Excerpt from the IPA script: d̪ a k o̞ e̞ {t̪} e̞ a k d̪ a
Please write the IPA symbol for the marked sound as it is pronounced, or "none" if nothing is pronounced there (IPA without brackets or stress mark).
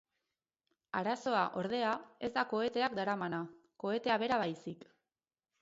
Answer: t̪